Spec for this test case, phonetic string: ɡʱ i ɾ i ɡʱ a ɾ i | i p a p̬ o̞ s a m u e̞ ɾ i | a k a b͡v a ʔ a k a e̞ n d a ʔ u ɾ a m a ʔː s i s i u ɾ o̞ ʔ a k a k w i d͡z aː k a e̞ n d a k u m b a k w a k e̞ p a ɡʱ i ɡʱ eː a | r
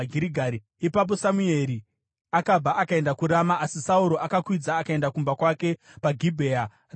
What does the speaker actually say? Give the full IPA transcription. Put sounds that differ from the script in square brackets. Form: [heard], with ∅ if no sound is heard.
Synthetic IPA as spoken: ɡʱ i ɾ i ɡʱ a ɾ i | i p a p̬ o̞ s a m u e̞ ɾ i | a k a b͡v a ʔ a k a e̞ n d a [k] u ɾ a m a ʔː s i s [a] u ɾ o̞ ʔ a k a k w i d͡z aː k a e̞ n d a k u m b a k w a k e̞ p a ɡʱ i [bʱ] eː a | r